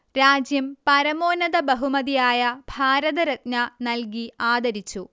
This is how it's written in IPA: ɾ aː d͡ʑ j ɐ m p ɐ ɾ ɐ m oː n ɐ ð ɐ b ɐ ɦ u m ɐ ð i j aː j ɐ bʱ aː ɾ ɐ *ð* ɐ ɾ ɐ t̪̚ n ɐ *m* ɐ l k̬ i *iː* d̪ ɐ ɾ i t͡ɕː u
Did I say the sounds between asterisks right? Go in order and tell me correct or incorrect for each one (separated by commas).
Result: correct, incorrect, incorrect